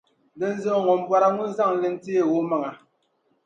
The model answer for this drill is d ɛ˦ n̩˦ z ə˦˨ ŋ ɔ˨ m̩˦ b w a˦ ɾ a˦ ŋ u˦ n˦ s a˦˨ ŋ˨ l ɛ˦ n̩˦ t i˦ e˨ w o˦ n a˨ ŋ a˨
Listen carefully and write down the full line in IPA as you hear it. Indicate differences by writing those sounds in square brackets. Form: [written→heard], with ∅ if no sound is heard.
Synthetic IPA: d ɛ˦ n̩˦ z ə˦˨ ŋ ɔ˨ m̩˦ b w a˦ ɾ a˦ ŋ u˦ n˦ [s→z] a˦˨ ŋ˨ l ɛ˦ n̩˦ t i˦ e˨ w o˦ [n→m] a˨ ŋ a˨

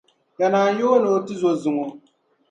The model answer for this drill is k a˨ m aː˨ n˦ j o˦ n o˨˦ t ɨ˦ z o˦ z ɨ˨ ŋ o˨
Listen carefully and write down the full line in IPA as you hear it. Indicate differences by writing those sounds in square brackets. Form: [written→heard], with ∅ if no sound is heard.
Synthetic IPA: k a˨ [m→n] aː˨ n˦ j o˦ n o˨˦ t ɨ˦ z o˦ z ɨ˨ ŋ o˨

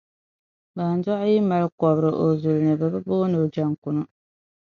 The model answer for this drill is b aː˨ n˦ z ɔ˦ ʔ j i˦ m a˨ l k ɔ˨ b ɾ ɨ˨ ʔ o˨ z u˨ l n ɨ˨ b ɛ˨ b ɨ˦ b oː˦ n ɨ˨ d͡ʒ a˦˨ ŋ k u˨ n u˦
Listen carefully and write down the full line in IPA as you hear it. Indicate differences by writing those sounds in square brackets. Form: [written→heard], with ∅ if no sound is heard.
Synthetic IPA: b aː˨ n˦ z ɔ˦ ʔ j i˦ m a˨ l k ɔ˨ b ɾ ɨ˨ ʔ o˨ z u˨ l n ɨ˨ b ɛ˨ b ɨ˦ b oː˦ n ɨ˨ d͡ʒ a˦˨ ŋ k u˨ n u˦

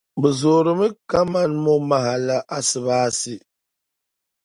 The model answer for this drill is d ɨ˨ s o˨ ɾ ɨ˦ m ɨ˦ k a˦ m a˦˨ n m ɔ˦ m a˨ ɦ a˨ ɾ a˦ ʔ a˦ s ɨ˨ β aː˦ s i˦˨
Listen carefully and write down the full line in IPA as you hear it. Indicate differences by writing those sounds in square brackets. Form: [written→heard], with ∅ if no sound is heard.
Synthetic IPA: [d→b] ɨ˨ [s→z] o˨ ɾ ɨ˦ m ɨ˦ k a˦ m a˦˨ n m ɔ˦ m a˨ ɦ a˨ [ɾ→l] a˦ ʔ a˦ s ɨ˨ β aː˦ s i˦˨

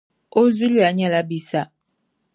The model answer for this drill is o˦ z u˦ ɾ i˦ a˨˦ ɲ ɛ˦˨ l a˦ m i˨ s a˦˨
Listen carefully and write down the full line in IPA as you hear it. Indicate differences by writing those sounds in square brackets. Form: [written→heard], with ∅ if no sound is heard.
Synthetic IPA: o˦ z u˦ [ɾ→l] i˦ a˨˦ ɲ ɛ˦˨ l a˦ [m→b] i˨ s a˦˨

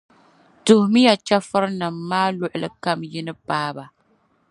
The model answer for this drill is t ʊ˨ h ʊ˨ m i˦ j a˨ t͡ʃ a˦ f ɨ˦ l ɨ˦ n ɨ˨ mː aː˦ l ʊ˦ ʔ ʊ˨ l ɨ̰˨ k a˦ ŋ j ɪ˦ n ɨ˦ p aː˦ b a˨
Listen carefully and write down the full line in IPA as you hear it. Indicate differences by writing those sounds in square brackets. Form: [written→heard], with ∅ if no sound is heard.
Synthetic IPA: t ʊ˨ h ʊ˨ m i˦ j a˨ t͡ʃ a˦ f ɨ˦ [l→ɾ] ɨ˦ n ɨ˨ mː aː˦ l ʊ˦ ʔ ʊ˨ l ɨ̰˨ k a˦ [ŋ→m] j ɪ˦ n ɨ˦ p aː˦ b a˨

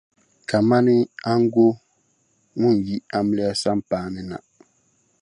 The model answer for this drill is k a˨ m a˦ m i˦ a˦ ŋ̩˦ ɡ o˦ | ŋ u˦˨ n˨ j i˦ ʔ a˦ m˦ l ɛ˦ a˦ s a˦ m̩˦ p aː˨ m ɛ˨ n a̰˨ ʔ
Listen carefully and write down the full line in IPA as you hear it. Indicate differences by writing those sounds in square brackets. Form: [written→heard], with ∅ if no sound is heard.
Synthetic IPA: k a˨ m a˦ [m→n] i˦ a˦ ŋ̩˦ ɡ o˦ | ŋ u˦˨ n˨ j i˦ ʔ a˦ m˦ l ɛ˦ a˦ s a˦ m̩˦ p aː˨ [m→n] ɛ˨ n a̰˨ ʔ

